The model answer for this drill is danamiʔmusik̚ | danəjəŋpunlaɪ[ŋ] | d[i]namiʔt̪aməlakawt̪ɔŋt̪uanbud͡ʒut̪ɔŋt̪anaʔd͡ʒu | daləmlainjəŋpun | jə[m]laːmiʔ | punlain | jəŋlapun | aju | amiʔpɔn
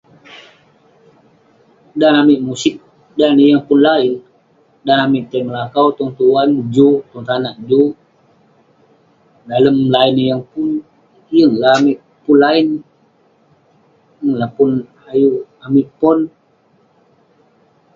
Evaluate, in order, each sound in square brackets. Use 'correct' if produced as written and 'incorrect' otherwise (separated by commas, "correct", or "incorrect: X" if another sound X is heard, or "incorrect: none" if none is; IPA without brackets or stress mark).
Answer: incorrect: n, incorrect: a, incorrect: ŋ